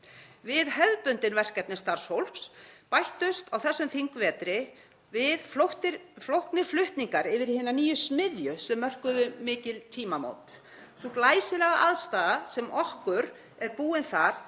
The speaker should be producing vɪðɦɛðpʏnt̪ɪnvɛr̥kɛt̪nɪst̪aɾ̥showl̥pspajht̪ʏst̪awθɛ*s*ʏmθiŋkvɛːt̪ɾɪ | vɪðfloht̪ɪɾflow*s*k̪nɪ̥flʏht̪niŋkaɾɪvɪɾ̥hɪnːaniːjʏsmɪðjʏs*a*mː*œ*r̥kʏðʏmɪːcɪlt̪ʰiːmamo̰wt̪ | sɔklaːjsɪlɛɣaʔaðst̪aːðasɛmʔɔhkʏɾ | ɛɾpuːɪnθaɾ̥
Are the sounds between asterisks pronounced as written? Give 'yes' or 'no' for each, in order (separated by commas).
no, no, no, yes